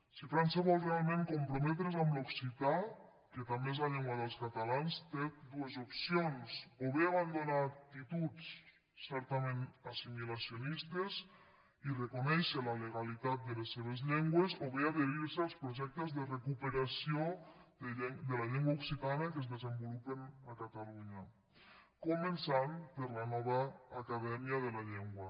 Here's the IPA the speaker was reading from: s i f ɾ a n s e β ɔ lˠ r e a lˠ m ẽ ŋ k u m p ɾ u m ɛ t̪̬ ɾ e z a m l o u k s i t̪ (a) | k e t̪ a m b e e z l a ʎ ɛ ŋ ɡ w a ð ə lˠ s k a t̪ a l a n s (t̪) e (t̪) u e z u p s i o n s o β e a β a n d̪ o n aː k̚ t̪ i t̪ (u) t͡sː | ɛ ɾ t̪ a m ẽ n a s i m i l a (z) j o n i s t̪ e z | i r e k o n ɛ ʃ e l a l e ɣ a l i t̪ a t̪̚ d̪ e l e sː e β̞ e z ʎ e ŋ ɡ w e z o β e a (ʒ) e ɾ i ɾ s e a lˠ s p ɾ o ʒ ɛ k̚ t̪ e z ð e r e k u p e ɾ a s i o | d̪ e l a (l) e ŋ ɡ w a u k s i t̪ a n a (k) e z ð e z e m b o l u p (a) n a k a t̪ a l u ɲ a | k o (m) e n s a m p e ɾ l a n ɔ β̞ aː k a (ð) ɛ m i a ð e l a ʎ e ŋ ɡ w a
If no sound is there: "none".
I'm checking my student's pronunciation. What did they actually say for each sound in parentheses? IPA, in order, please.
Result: a, t̪, d̪, u, s, ð, ʎ, k, e, m, ð

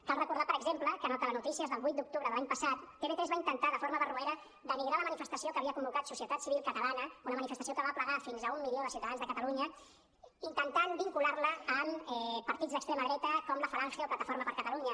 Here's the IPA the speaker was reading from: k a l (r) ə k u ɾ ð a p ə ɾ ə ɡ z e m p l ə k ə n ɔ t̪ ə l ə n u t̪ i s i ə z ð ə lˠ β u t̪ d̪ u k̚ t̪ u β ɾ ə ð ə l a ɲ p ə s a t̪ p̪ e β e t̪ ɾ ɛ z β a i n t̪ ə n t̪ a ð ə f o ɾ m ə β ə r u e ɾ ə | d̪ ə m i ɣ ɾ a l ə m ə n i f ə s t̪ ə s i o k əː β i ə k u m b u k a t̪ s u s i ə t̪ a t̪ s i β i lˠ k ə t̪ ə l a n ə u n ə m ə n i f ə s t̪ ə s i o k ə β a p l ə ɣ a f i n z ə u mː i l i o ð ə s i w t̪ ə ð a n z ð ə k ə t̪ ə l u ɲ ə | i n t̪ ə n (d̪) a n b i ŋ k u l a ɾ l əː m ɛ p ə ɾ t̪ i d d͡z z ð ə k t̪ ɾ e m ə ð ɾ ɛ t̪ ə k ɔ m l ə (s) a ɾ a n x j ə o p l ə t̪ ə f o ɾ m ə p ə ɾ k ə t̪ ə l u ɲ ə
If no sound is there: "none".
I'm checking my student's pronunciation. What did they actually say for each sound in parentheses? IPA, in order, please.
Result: r, t̪, f

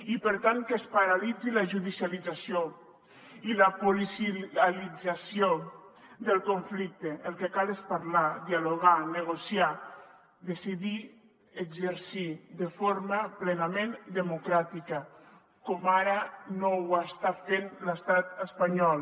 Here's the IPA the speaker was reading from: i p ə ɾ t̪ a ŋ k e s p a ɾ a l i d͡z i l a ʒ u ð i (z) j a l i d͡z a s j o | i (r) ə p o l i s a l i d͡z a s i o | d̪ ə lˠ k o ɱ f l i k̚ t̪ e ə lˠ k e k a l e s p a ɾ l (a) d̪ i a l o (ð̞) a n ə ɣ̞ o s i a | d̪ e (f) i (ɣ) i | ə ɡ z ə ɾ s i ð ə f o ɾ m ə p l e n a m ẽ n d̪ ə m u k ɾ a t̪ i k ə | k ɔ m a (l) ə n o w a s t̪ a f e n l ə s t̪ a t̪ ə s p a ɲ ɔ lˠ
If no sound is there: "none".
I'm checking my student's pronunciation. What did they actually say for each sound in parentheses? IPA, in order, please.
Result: s, l, a, ɣ̞, s, ð, ɾ

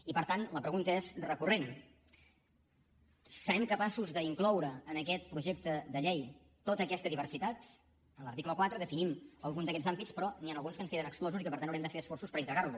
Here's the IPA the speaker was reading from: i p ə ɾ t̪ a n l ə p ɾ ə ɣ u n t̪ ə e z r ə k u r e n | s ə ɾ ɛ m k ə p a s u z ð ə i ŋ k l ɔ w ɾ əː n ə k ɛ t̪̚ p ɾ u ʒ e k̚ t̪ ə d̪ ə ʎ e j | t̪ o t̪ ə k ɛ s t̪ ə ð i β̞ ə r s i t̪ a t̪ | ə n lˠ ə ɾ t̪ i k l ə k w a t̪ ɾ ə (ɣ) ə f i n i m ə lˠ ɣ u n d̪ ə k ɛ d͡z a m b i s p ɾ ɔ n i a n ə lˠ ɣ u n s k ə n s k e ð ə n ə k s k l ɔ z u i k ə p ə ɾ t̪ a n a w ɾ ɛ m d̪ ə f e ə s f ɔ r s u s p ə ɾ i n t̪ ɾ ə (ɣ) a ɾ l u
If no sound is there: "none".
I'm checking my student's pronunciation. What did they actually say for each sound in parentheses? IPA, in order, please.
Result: ð, ɣ

